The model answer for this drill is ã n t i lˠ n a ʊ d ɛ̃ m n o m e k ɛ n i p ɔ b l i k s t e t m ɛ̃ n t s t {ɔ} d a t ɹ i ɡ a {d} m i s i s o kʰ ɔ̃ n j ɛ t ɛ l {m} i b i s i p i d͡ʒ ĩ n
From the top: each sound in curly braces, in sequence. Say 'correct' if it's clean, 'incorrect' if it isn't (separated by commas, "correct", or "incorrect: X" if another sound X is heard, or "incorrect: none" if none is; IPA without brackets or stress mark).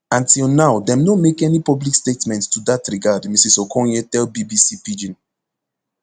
incorrect: u, correct, incorrect: b